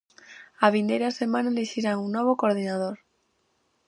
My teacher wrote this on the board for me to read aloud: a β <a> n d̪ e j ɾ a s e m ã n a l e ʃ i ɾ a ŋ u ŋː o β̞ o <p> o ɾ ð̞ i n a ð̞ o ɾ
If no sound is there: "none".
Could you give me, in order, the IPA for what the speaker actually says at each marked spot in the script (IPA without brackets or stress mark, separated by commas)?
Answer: i, k